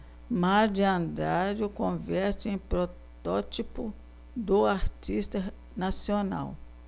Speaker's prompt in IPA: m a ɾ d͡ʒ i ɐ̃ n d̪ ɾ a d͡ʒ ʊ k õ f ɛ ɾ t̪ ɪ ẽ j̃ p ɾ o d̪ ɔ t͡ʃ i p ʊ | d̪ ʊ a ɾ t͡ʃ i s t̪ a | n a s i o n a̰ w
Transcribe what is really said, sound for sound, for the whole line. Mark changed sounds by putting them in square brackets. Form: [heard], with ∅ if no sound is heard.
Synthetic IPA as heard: m a ɾ d͡ʒ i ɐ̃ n d̪ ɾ a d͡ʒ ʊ k õ [v] ɛ ɾ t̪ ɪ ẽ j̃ p ɾ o [t̪] ɔ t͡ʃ i p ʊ | d̪ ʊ a ɾ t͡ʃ i s t̪ [ɐ] | n a s i o n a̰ w